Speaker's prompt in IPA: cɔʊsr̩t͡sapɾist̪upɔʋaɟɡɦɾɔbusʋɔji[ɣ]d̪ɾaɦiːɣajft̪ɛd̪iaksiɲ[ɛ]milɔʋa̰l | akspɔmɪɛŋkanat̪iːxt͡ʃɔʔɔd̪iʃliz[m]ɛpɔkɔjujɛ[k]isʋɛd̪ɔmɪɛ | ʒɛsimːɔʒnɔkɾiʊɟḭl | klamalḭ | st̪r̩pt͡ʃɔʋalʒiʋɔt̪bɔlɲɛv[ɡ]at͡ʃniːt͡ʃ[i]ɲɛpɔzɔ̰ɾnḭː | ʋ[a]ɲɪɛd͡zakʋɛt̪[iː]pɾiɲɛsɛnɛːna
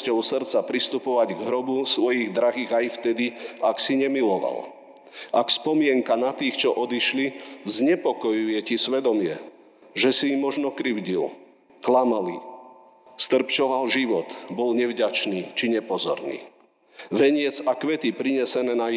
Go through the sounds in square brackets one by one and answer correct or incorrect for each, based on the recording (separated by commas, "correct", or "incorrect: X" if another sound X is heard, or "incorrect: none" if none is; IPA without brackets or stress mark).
correct, correct, incorrect: ɲ, incorrect: c, incorrect: ɟ, correct, incorrect: ɛ, incorrect: i